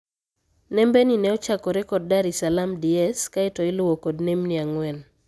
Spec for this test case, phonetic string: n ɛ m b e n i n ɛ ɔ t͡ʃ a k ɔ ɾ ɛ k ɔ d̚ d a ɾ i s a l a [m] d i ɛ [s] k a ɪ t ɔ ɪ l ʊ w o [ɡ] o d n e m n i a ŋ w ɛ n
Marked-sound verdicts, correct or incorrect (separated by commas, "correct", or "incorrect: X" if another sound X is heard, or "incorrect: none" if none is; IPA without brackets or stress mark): correct, correct, incorrect: k